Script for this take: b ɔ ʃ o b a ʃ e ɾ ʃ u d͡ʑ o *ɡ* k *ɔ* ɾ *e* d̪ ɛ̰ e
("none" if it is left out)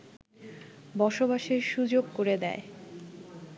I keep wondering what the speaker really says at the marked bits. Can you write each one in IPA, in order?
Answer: ɡ, o, e

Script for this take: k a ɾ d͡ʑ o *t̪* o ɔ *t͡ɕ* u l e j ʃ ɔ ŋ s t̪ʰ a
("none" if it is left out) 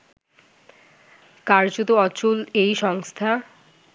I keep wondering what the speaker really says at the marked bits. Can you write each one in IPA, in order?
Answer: t̪, t͡ɕ

